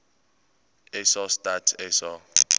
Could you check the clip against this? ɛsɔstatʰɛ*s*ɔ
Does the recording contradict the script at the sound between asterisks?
no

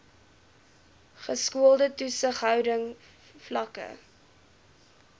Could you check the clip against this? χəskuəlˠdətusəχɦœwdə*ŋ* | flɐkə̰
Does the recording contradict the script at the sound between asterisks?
no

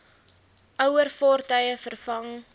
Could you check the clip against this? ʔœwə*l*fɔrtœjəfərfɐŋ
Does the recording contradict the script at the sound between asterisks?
yes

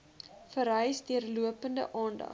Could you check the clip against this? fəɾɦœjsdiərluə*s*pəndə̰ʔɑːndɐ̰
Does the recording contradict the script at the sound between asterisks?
yes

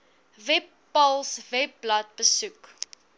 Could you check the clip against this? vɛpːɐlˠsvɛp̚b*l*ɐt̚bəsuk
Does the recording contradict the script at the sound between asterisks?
no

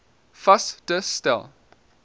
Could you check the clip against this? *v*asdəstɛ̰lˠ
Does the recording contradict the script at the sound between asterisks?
yes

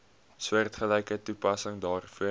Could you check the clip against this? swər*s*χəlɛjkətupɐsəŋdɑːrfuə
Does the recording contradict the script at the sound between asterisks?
yes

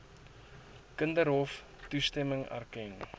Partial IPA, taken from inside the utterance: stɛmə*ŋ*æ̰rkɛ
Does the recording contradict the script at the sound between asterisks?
no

